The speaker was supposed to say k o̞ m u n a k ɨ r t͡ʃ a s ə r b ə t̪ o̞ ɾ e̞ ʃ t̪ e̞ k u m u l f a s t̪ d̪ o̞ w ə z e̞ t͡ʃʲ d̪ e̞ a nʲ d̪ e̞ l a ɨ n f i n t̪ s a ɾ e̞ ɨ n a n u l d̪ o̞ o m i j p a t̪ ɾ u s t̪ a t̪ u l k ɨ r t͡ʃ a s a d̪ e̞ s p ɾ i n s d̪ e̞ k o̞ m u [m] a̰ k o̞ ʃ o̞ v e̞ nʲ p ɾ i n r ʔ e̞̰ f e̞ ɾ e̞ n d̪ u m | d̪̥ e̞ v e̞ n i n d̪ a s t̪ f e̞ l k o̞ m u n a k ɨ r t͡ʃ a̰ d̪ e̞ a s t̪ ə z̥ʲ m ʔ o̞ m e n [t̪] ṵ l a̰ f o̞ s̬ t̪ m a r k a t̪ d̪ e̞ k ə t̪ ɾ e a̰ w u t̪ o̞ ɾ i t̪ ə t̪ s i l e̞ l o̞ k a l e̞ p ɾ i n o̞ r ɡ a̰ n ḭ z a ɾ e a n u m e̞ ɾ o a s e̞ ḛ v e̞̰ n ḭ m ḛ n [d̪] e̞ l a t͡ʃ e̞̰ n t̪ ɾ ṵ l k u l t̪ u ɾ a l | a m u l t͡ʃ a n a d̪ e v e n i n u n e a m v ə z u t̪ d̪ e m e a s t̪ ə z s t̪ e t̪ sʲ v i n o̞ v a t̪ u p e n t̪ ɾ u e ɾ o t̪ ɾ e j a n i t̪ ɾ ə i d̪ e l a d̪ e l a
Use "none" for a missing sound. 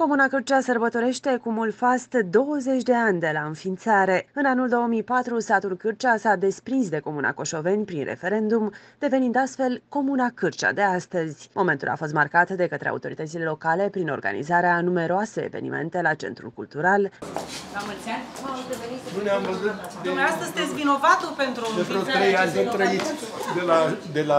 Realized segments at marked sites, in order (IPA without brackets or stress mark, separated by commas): n, t̪, t̪